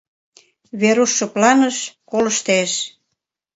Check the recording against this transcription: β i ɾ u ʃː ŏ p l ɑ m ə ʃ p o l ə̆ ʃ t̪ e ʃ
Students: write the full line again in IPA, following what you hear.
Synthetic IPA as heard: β e ɾ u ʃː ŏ p l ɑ n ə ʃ k o l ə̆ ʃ t̪ e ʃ